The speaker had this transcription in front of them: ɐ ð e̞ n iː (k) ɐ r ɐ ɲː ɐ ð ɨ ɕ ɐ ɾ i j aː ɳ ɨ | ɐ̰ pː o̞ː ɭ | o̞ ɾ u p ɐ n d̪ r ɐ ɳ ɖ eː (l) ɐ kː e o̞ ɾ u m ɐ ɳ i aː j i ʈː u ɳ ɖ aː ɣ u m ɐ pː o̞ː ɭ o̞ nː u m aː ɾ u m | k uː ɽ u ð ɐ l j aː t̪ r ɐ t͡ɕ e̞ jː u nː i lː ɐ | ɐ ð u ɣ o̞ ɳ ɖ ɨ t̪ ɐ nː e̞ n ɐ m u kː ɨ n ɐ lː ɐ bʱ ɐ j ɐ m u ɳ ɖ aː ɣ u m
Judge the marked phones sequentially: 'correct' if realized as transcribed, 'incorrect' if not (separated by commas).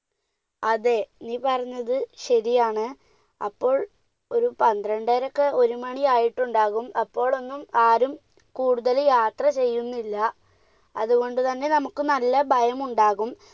incorrect, incorrect